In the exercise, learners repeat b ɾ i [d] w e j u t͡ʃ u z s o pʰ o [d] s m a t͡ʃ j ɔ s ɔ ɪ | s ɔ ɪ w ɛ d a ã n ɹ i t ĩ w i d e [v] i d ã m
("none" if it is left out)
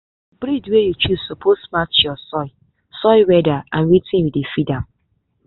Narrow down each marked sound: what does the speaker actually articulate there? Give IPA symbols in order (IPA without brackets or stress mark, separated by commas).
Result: d, none, f